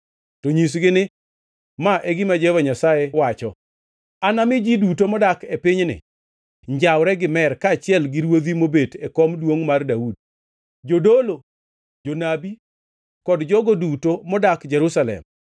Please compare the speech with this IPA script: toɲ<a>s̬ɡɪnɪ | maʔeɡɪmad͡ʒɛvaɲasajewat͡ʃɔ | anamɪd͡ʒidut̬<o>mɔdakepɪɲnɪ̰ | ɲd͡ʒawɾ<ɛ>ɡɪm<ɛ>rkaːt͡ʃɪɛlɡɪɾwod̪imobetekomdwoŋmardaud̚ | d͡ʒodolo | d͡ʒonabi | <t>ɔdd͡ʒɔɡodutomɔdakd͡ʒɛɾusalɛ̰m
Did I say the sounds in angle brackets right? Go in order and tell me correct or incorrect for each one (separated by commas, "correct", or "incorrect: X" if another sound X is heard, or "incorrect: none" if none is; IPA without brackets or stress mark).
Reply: incorrect: i, correct, correct, correct, incorrect: k